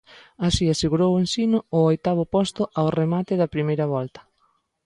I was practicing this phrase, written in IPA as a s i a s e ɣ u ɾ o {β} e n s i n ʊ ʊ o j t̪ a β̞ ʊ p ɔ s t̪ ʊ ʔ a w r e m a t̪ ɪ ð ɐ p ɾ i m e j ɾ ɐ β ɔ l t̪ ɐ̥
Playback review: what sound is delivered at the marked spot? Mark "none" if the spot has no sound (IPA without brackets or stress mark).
w